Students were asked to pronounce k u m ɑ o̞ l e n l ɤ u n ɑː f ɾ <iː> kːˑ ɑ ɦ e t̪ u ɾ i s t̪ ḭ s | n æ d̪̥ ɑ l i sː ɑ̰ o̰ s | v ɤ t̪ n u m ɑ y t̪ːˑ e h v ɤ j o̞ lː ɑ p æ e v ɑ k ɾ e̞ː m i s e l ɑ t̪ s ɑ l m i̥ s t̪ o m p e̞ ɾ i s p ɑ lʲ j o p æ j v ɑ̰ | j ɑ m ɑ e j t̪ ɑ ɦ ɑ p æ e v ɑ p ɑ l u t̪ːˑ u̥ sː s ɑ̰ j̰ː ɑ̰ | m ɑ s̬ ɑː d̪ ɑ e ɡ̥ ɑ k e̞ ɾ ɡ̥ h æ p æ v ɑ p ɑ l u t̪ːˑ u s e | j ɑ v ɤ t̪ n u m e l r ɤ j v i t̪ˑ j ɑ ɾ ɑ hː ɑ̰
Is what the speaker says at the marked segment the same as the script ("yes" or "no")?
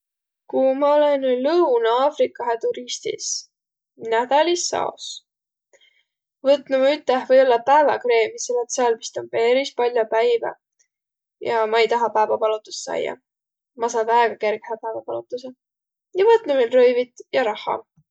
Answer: no